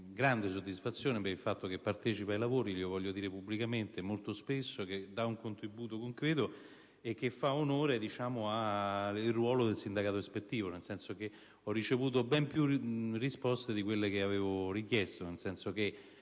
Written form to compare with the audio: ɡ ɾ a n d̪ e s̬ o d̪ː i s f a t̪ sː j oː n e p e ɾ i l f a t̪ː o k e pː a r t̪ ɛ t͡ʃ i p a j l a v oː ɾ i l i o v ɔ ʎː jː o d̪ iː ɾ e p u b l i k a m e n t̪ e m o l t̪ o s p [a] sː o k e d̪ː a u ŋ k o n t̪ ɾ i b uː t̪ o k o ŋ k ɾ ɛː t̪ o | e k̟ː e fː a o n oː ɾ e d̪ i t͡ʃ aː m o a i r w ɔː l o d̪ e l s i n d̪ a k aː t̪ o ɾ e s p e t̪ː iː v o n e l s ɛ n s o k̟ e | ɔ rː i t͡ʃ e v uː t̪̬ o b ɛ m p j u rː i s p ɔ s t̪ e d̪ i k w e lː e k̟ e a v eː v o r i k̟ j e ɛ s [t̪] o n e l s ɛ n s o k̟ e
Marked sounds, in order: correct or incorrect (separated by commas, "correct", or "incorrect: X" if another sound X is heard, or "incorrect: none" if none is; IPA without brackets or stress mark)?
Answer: incorrect: e, correct